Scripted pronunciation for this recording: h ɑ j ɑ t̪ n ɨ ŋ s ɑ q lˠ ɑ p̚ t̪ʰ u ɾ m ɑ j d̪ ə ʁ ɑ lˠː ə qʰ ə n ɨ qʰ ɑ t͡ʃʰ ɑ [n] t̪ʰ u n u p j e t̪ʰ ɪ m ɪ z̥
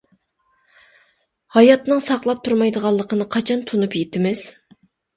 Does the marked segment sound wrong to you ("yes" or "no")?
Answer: no